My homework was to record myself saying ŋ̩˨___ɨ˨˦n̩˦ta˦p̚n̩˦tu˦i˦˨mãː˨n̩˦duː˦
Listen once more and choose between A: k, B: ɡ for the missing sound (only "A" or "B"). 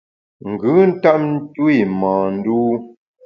B